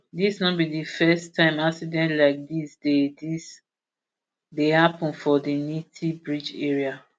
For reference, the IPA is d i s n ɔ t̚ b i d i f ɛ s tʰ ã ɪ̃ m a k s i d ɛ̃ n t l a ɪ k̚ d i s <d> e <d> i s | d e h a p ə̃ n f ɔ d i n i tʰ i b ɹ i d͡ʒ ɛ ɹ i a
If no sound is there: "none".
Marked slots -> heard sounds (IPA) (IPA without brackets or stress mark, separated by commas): d, d